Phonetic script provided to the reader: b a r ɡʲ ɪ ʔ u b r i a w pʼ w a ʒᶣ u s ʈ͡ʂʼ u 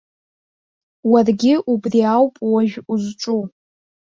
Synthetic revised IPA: w a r ɡʲ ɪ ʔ u b r i a w pʼ w a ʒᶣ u z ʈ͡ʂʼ u